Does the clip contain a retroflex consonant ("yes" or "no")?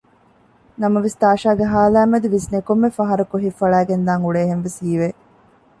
yes